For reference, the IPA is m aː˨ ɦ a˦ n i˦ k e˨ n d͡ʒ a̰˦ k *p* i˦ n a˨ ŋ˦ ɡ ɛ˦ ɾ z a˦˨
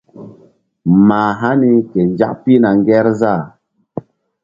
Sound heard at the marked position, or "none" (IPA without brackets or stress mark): p